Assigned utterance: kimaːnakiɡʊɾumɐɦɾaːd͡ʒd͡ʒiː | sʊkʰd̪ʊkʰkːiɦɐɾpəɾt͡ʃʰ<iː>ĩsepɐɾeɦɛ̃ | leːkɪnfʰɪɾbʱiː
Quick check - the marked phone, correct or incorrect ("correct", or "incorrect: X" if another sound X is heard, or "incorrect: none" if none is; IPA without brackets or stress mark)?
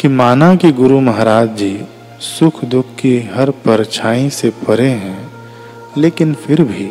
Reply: incorrect: aː